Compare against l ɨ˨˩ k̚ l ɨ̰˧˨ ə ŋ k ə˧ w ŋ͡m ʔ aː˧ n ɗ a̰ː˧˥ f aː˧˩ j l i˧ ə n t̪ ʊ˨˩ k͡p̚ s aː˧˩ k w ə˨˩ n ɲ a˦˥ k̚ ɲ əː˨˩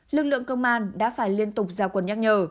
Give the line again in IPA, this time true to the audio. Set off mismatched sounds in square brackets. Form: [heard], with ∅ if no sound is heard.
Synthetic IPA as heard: l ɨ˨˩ k̚ l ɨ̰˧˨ ə ŋ k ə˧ w ŋ͡m ʔ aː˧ n ɗ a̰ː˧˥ f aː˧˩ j l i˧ ə n t̪ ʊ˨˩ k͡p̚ [z] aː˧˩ k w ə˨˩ n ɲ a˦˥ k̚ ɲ əː˨˩

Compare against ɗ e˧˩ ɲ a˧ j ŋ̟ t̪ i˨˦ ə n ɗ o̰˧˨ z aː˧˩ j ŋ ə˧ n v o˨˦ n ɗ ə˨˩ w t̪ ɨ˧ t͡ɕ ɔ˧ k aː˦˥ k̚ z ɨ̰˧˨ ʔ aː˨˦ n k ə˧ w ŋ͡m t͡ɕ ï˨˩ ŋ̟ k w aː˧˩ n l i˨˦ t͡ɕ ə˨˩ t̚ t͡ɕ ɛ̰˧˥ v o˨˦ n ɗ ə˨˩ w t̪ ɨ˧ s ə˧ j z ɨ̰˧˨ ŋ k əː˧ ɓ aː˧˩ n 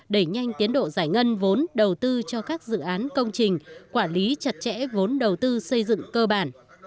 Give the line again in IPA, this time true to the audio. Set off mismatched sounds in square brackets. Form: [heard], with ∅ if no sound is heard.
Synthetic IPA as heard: ɗ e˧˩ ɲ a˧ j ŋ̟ t̪ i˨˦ ə n ɗ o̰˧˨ z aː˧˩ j ŋ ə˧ n v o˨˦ n ɗ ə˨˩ w t̪ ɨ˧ t͡ɕ ɔ˧ k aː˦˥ k̚ z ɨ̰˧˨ ʔ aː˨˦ n k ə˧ w ŋ͡m t͡ɕ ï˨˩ ŋ̟ k w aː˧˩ n l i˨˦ t͡ɕ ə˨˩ t̚ t͡ɕ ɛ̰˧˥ v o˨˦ n ɗ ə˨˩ w t̪ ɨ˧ s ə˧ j z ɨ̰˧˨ ŋ k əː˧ ɓ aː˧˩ n

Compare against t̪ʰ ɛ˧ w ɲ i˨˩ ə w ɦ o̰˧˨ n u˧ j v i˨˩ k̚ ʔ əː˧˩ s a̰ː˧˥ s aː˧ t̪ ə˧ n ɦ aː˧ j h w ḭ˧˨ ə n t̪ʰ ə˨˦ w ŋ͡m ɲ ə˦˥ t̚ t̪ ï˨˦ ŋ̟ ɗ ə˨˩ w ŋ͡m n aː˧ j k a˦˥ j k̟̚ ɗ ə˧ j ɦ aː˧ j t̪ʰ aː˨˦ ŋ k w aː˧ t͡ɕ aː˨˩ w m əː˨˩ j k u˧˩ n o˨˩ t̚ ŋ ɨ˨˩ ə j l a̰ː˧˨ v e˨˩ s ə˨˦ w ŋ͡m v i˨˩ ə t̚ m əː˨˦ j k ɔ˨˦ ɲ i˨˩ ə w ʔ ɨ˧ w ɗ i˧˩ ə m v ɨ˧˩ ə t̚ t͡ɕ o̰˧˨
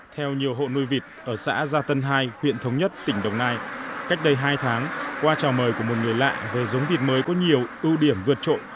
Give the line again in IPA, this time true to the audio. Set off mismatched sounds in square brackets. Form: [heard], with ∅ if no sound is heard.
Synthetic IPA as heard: t̪ʰ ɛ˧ w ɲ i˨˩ ə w ɦ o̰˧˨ n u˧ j v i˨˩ [t̚] ʔ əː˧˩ s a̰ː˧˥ [z] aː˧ t̪ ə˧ n ɦ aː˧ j h w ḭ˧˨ ə n t̪ʰ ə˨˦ w ŋ͡m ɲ ə˦˥ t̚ t̪ [ï˧˩] ŋ̟ ɗ ə˨˩ w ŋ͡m n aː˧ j k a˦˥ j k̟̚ ɗ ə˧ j ɦ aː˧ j t̪ʰ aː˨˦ ŋ k w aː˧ t͡ɕ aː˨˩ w m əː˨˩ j k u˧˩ [m] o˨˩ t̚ ŋ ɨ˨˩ ə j l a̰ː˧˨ v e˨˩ [z] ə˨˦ w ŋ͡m v i˨˩ ə t̚ m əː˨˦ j k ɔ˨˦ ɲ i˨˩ ə w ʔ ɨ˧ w ɗ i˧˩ ə m v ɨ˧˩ ə t̚ t͡ɕ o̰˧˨

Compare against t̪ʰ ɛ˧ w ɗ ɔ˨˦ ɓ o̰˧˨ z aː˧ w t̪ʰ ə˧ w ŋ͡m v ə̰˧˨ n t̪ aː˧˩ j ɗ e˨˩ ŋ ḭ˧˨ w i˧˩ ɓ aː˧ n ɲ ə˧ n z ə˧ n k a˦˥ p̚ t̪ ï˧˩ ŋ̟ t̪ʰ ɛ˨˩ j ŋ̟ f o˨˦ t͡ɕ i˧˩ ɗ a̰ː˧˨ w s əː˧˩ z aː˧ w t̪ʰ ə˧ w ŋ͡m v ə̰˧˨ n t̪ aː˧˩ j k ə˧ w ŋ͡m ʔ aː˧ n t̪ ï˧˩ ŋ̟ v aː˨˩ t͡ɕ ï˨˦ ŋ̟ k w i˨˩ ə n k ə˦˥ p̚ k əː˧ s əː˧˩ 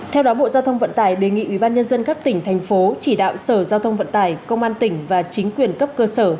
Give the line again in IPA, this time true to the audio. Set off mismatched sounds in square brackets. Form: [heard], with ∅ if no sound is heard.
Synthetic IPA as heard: t̪ʰ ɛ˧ w ɗ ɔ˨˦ ɓ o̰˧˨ z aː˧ w t̪ʰ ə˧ w ŋ͡m v ə̰˧˨ n t̪ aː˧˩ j ɗ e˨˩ ŋ ḭ˧˨ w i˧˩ ɓ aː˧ n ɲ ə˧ n z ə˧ n k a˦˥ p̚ t̪ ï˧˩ ŋ̟ t̪ʰ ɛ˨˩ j ŋ̟ f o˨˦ t͡ɕ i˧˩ ɗ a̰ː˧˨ w s əː˧˩ z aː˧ w t̪ʰ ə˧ w ŋ͡m v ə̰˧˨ n t̪ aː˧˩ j k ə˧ w ŋ͡m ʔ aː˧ n t̪ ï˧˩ ŋ̟ v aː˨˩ t͡ɕ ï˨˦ ŋ̟ k w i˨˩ ə n k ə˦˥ p̚ k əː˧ s əː˧˩

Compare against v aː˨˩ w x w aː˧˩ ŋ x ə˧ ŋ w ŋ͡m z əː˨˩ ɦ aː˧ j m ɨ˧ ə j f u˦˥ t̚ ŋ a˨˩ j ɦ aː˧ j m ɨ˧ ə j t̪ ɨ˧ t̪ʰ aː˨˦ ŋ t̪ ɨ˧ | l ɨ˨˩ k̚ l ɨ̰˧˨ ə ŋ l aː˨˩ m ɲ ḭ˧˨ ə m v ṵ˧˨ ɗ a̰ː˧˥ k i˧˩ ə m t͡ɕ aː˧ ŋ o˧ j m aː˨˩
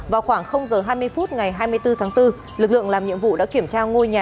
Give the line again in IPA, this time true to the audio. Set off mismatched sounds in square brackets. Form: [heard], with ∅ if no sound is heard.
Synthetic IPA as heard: v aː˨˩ w x w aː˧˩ ŋ x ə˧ [∅] w ŋ͡m z əː˨˩ ɦ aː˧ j m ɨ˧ ə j f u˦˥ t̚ ŋ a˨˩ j ɦ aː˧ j m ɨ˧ ə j t̪ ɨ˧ t̪ʰ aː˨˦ ŋ t̪ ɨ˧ | l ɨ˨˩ k̚ l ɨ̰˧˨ ə ŋ l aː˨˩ m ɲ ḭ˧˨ ə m v ṵ˧˨ ɗ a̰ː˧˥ k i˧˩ ə m t͡ɕ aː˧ ŋ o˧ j [ɲ] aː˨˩

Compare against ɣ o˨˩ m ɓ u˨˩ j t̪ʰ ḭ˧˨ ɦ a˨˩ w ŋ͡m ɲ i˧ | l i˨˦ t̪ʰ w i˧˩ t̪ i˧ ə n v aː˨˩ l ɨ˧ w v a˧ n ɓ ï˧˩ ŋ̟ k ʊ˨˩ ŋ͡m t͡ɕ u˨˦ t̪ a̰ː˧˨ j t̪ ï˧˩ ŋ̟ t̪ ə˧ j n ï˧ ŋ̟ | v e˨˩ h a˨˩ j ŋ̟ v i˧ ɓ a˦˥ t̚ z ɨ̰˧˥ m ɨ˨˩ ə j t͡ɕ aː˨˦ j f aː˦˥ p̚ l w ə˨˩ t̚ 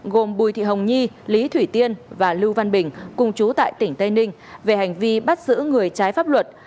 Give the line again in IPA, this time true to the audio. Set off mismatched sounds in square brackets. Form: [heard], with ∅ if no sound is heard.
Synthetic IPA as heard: ɣ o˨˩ m ɓ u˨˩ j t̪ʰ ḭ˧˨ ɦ [ə˨˩] w ŋ͡m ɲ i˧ | l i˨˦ t̪ʰ w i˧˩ t̪ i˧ ə n v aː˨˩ l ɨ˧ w v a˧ n ɓ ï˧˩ ŋ̟ k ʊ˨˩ ŋ͡m t͡ɕ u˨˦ t̪ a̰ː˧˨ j t̪ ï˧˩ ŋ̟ t̪ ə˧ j n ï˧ ŋ̟ | v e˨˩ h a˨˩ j ŋ̟ v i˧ ɓ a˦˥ t̚ z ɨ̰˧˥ [ŋ] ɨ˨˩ ə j t͡ɕ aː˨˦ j f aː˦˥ p̚ l w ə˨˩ t̚

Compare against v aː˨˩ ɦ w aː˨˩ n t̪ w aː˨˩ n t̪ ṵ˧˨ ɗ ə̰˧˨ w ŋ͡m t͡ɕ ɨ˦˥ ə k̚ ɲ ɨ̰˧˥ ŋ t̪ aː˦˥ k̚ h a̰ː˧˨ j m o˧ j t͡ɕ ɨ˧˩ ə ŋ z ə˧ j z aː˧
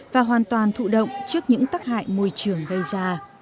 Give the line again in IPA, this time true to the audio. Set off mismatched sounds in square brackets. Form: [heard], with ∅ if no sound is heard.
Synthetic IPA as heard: v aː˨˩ ɦ w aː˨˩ n t̪ w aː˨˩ n [t̪ʰ] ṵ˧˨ ɗ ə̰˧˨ w ŋ͡m t͡ɕ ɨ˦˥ ə k̚ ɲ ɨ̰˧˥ ŋ t̪ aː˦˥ k̚ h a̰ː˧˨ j m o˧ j t͡ɕ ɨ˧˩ ə ŋ [ɣ] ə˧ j z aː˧

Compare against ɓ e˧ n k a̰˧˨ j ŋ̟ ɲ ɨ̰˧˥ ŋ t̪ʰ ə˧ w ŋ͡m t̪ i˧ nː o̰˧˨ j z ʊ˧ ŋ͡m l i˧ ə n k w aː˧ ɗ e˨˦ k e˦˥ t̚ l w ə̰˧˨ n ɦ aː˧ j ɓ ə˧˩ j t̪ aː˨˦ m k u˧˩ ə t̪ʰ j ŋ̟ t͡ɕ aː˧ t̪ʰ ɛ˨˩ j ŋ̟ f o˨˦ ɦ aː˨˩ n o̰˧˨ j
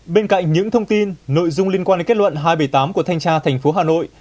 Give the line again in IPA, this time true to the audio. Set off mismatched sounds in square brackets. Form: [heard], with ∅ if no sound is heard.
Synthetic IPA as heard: ɓ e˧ n k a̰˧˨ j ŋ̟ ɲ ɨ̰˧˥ ŋ t̪ʰ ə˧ w ŋ͡m t̪ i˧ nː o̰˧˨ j z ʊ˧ ŋ͡m l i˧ ə n k w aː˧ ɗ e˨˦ k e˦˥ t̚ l w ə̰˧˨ n ɦ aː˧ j ɓ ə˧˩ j t̪ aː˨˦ m k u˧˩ ə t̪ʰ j ŋ̟ t͡ɕ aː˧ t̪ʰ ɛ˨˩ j ŋ̟ f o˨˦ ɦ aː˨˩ n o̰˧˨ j

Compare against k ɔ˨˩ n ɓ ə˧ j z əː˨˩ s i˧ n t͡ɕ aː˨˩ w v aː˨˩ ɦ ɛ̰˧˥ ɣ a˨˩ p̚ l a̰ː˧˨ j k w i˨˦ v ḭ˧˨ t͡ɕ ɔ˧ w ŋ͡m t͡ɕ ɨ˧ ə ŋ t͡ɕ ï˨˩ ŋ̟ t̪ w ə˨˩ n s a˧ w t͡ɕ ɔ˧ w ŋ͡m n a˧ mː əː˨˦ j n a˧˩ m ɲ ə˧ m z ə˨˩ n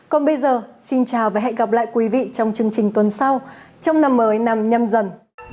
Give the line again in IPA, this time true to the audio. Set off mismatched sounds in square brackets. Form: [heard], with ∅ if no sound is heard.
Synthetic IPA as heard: k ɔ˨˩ n ɓ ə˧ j z əː˨˩ s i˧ n t͡ɕ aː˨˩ w v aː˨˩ ɦ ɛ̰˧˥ ɣ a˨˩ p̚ l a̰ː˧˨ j k w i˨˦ v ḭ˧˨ t͡ɕ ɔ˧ w ŋ͡m t͡ɕ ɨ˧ ə ŋ t͡ɕ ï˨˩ ŋ̟ t̪ w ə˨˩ n s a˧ w t͡ɕ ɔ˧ w ŋ͡m n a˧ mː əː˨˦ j n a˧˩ m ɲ ə˧ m z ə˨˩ n

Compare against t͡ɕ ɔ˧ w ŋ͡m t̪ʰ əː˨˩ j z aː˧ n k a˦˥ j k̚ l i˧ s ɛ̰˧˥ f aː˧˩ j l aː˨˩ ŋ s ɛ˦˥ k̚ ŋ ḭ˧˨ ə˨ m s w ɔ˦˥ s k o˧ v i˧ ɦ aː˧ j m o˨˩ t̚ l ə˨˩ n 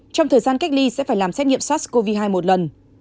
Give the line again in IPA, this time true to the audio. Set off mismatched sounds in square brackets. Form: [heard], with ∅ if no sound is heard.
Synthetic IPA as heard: t͡ɕ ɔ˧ w ŋ͡m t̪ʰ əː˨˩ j z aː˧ n k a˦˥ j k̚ l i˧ s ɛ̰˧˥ f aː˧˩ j l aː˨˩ [m] s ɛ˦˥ [t̚] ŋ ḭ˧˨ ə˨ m s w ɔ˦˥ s k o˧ v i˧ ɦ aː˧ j m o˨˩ t̚ l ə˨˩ n

